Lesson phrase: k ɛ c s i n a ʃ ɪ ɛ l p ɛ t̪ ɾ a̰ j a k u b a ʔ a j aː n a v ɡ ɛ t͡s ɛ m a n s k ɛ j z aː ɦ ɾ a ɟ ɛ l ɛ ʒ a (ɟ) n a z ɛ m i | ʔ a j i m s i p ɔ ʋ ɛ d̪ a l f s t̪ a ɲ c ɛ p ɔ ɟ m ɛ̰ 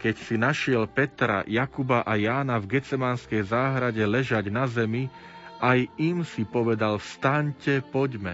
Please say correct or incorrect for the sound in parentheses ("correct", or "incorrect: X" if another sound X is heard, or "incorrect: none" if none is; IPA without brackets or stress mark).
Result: correct